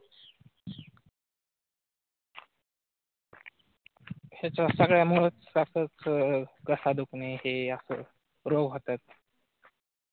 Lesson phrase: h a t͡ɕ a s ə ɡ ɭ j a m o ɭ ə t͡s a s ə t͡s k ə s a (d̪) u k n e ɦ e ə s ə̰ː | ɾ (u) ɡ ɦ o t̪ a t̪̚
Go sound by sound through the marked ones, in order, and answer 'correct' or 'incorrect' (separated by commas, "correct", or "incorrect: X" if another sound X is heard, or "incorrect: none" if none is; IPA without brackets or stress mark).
correct, incorrect: o